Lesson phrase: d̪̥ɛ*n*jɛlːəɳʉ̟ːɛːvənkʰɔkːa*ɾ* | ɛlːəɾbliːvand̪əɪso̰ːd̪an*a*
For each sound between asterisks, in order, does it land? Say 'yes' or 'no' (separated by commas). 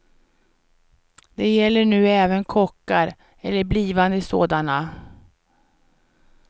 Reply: no, yes, yes